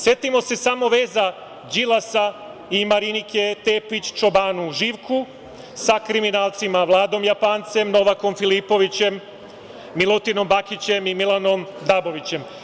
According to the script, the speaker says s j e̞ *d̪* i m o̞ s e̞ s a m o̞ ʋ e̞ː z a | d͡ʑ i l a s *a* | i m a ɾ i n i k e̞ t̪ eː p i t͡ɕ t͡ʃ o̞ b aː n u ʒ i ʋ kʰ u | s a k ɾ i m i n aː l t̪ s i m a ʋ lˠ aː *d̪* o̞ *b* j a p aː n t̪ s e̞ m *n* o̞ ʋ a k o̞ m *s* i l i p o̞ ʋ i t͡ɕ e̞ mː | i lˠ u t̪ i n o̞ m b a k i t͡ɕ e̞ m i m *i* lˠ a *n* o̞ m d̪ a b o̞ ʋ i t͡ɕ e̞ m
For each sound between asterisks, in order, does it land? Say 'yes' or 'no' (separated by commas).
no, yes, yes, no, yes, no, yes, yes